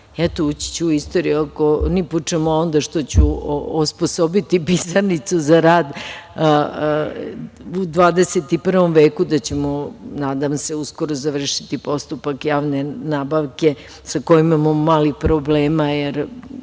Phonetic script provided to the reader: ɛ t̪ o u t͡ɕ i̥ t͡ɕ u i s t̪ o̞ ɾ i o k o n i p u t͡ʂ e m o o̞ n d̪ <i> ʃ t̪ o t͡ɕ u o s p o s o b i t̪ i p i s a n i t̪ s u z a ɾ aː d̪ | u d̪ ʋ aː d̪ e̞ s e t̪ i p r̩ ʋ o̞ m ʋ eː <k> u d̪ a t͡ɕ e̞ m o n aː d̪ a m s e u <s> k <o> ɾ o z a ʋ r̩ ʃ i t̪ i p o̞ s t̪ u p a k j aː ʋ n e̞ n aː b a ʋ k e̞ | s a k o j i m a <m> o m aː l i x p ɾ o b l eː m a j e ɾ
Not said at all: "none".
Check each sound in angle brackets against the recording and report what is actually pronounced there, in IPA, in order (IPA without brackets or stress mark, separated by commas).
a, k, s, o, m